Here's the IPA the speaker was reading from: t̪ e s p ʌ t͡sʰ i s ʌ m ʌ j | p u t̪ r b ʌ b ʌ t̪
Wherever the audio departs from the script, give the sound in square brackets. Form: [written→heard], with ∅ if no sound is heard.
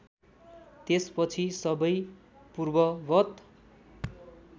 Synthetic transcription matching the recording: t̪ e s p ʌ t͡sʰ i s ʌ [m→b] ʌ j | p u [t̪→∅] r b ʌ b ʌ t̪